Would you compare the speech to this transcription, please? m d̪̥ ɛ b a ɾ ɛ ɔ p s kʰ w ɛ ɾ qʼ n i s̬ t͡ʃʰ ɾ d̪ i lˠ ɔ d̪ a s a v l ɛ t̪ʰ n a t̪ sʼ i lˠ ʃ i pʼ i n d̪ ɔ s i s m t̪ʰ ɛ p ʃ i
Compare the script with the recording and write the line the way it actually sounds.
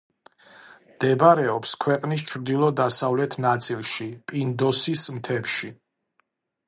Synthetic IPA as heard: m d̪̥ ɛ b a ɾ ɛ ɔ p s kʰ w ɛ qʼ n i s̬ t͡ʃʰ ɾ d̪ i lˠ ɔ d̪ a s a v l ɛ t̪ʰ n a t̪ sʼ i lˠ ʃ i pʼ i n d̪ ɔ s i s m t̪ʰ ɛ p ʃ i

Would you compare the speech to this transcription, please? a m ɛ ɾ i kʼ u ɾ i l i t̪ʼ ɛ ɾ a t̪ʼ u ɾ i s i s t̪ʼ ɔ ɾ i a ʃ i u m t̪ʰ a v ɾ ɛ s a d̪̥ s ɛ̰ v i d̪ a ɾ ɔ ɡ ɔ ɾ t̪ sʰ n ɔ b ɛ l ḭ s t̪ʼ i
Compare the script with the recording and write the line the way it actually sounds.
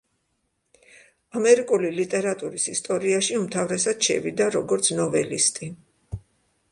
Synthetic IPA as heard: a m ɛ ɾ i kʼ u l i l i t̪ʼ ɛ ɾ a t̪ʼ u ɾ i s i s t̪ʼ ɔ ɾ i a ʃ i u m t̪ʰ a v ɾ ɛ s a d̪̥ ʃ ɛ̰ v i d̪ a ɾ ɔ ɡ ɔ ɾ t̪ sʰ n ɔ v ɛ l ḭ s t̪ʼ i

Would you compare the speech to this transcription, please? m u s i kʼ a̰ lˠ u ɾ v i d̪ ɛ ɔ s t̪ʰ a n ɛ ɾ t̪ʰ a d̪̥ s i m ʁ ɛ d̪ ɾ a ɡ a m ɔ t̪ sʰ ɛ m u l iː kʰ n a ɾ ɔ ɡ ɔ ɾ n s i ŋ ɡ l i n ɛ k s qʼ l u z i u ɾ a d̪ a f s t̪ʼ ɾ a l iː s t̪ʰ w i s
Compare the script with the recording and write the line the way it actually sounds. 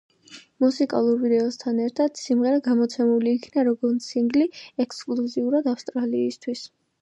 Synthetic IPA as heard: m u s i kʼ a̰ lˠ u ɾ v i d̪ ɛ ɔ s t̪ʰ a n ɛ ɾ t̪ʰ a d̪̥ s i m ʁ ɛ ɾ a ɡ a m ɔ t̪ sʰ ɛ m u l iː kʰ n a ɾ ɔ ɡ ɔ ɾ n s i ŋ ɡ l i ɛ k s kʼ l u z i u ɾ a d̪ a f s t̪ʼ ɾ a l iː s t̪ʰ w i s

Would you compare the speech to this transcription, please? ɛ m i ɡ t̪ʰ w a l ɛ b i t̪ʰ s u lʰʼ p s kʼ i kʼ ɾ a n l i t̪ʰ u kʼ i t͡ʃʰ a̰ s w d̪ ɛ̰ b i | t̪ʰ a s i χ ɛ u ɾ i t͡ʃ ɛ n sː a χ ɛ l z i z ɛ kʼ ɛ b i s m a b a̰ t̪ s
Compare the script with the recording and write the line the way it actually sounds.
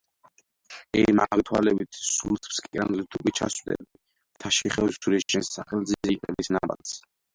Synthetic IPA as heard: ɛ m a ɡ t̪ʰ w a l ɛ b i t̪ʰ s u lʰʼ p s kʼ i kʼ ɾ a n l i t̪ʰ u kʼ i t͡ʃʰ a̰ s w d̪ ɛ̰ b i | t̪ʰ a ʃ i χ ɛ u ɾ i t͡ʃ ɛ n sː a χ ɛ l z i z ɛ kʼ ɛ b i s n a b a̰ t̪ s

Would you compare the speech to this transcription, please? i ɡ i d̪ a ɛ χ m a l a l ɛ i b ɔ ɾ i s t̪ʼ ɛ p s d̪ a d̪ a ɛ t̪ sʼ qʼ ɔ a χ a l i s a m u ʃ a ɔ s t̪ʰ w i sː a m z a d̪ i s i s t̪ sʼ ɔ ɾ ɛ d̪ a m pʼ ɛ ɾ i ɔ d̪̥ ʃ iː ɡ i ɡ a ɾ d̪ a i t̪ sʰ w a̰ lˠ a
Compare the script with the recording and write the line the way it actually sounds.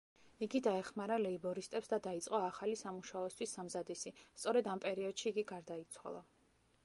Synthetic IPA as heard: i ɡ i d̪ a ɛ χ m a ɾ a l ɛ i b ɔ ɾ i s t̪ʼ ɛ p s d̪ a d̪ a i t̪ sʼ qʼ ɔ a χ a l i s a m u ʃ a ɔ s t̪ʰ w i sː a m z a d̪ i s i s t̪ sʼ ɔ ɾ ɛ d̪ a m pʼ ɛ ɾ i ɔ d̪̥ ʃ iː ɡ i ɡ a ɾ d̪ a i t̪ sʰ w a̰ lˠ a

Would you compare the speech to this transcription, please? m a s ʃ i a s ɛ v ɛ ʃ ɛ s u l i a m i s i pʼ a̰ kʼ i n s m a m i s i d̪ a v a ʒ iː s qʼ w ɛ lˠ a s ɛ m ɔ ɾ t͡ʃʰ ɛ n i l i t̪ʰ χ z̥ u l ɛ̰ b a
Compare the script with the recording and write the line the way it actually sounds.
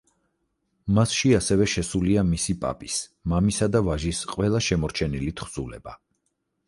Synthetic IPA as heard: m a s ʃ i a s ɛ v ɛ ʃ ɛ s u l i a m i s i pʼ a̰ pʼ i s m a m i s a d̪ a v a ʒ i s qʼ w ɛ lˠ a ʃ ɛ m ɔ ɾ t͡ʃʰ ɛ n i l i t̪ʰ χ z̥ u l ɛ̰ b a

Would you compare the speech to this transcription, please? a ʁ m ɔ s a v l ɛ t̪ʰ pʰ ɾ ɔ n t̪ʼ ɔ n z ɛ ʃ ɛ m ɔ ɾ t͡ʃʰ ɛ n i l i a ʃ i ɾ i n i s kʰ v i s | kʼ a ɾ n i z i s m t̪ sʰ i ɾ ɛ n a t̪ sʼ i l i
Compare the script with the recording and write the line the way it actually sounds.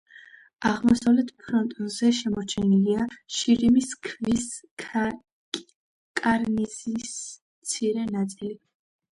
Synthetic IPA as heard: a ʁ m ɔ s a v l ɛ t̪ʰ pʰ ɾ ɔ n t̪ʼ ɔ n z ɛ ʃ ɛ m ɔ ɾ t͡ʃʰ ɛ n i l i a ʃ i ɾ i m i s kʰ v i s | kʼ a ɾ n i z i s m t̪ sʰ i ɾ ɛ n a t̪ sʼ i l i

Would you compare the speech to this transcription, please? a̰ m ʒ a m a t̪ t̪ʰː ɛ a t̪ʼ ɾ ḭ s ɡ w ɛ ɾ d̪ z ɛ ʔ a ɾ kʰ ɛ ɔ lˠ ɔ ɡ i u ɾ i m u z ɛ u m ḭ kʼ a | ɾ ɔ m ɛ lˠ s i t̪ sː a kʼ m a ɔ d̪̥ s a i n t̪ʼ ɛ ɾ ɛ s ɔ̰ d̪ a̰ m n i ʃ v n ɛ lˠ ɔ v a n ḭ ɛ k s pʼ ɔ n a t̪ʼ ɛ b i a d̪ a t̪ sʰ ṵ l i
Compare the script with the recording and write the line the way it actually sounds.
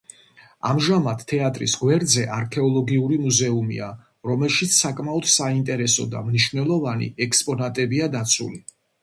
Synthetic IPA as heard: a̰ m ʒ a m a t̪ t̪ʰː ɛ a t̪ʼ ɾ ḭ s ɡ w ɛ ɾ d̪ z ɛ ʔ a ɾ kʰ ɛ ɔ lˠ ɔ ɡ i u ɾ i m u z ɛ u m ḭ a | ɾ ɔ m ɛ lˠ ʃ i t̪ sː a kʼ m a ɔ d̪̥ s a i n t̪ʼ ɛ ɾ ɛ s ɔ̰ d̪ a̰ m n i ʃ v n ɛ lˠ ɔ v a n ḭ ɛ k s pʼ ɔ n a t̪ʼ ɛ b i a d̪ a t̪ sʰ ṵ l i

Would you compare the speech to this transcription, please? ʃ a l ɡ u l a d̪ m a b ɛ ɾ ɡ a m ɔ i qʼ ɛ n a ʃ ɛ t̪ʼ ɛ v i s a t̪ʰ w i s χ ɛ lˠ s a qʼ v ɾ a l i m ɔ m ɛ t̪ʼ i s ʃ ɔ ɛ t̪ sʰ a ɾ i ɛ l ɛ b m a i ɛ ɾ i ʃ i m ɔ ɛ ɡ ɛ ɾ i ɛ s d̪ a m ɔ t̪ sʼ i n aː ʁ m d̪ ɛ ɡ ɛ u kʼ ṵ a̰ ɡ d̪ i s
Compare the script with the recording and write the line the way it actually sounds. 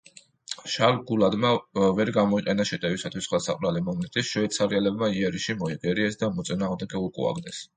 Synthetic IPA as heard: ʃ a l ɡ u l a d̪ m a v ɛ ɾ ɡ a m ɔ i qʼ ɛ n a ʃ ɛ t̪ʼ ɛ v i s a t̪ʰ w i s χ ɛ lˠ s a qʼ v ɾ a l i m ɔ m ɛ t̪ʼ i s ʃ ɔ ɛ t̪ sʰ a ɾ i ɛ l ɛ b m a i ɛ ɾ i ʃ i m ɔ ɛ ɡ ɛ ɾ i ɛ s d̪ a m ɔ t̪ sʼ i n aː ʁ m d̪ ɛ ɡ ɛ u kʼ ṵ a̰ ɡ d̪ ɛ s

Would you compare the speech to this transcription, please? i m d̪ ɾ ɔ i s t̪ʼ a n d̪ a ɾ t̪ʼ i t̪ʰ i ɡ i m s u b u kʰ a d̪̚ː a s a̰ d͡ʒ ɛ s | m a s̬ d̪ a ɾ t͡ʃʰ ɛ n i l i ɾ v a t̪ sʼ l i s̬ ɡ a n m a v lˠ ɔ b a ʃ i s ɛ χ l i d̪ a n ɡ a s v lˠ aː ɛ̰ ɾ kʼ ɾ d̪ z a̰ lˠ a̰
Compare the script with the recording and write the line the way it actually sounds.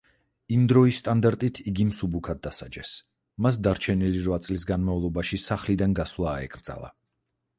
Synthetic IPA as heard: i m d̪ ɾ ɔ i s t̪ʼ a n d̪ a ɾ t̪ʼ i t̪ʰ i ɡ i m s u b u kʰ a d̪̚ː a s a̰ d͡ʒ ɛ s | m a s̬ d̪ a ɾ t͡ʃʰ ɛ n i l i ɾ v a t̪ sʼ l i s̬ ɡ a n m a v lˠ ɔ b a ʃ i s a χ l i d̪ a n ɡ a s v lˠ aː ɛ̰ kʼ ɾ d̪ z a̰ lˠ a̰

